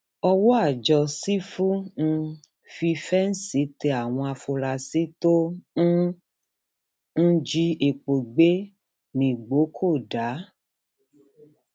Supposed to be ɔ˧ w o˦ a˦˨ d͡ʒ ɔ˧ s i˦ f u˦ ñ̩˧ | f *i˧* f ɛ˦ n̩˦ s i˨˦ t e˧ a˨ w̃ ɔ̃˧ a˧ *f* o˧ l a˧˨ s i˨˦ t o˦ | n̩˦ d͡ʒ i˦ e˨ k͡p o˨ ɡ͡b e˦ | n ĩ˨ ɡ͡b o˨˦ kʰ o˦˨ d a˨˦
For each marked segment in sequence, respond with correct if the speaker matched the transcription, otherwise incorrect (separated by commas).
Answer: correct, correct